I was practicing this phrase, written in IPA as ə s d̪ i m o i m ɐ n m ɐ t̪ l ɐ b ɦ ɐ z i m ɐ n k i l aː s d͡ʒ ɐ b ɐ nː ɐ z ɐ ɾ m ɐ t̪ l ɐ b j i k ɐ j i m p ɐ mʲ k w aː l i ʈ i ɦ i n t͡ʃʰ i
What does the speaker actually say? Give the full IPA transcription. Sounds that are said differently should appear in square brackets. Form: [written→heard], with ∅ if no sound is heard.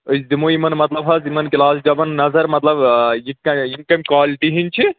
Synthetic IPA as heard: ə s d̪ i m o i m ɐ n m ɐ t̪ l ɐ b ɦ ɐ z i m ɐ n k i l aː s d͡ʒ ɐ b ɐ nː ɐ z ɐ ɾ m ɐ t̪ l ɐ b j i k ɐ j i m [p→k] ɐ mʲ k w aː l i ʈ i ɦ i n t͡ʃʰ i